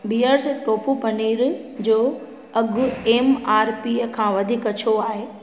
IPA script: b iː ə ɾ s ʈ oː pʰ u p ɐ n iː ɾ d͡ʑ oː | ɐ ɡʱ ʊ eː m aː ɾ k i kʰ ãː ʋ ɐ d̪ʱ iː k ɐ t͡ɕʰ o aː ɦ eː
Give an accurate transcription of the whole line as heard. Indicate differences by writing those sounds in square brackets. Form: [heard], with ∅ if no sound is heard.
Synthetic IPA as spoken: b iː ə ɾ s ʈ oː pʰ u p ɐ n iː ɾ d͡ʑ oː | ɐ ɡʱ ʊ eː m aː ɾ [p] i kʰ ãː ʋ ɐ d̪ʱ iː k ɐ t͡ɕʰ o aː ɦ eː